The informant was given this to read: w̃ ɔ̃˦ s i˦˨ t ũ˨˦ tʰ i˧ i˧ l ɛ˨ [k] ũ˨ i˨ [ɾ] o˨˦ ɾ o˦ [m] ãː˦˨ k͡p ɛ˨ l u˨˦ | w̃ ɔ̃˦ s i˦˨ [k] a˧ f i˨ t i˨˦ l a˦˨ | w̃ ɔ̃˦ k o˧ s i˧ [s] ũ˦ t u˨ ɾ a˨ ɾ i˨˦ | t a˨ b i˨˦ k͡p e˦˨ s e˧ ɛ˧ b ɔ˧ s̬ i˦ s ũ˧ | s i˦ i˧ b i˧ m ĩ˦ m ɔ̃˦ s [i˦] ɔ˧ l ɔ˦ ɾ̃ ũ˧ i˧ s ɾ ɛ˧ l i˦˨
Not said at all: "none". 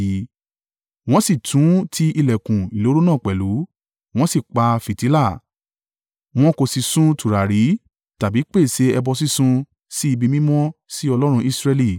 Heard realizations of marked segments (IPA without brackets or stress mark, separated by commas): k, l, n, k͡p, s, i˦